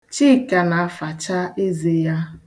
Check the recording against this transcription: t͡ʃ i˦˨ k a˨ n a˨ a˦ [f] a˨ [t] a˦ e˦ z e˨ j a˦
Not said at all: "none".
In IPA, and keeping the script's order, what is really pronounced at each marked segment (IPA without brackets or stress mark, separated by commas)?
f, t͡ʃ